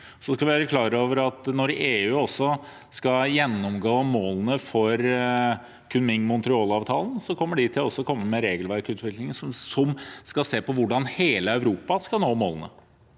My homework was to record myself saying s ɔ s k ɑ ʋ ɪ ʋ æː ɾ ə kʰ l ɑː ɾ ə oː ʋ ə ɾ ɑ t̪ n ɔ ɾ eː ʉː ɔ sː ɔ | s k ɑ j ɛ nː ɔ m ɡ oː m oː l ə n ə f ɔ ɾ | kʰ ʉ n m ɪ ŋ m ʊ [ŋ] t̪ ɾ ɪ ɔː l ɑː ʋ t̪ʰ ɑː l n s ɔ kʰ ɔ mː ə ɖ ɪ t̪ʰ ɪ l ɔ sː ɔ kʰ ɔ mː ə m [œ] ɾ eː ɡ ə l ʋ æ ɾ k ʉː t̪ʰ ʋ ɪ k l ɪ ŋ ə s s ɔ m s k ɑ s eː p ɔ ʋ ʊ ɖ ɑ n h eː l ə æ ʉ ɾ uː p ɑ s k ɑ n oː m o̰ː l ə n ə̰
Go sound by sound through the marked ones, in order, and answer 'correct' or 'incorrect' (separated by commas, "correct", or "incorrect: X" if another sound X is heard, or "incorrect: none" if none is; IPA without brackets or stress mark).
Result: incorrect: n, incorrect: ɛ